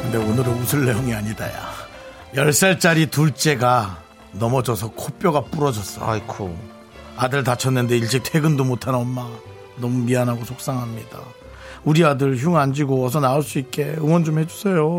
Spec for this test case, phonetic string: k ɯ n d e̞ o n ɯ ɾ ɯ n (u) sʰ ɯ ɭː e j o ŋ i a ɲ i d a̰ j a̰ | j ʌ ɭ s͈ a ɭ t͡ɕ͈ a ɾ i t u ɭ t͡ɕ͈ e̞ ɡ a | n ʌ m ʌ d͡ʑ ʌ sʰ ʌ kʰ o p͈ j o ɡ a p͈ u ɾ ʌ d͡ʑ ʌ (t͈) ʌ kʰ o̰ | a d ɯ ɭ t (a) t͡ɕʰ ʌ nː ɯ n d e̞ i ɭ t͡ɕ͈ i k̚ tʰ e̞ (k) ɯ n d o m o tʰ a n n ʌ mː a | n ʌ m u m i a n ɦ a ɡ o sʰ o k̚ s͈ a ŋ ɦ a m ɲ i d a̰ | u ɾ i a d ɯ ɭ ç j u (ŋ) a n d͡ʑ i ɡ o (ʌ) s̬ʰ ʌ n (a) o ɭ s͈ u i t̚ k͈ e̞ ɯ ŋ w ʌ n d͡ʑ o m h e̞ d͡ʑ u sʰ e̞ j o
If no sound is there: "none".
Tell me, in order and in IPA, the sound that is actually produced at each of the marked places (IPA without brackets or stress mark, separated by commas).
u, s͈, a, ɡ, ŋ, ʌ, a